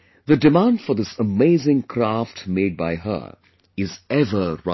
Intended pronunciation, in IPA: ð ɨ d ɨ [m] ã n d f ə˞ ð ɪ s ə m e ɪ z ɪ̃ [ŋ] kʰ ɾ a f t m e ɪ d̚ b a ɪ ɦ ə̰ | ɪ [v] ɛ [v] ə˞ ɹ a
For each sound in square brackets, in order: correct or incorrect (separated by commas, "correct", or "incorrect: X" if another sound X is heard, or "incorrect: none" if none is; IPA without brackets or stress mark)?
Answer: correct, correct, incorrect: z, correct